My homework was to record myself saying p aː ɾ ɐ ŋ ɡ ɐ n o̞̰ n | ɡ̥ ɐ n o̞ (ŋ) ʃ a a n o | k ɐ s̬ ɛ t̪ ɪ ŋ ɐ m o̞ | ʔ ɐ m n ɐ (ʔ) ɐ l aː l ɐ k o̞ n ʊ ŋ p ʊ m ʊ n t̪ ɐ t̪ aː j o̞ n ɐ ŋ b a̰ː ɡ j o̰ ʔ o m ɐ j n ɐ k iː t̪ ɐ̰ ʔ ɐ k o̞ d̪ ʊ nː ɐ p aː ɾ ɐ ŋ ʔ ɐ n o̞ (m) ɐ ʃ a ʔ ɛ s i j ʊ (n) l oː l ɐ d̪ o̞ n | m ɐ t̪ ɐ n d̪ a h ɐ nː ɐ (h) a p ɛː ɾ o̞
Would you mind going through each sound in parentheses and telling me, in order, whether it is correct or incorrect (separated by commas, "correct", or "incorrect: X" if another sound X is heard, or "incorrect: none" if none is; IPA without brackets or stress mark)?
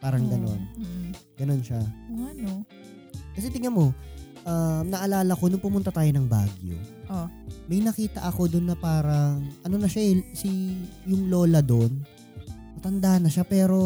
incorrect: n, correct, incorrect: n, incorrect: ŋ, incorrect: ʃ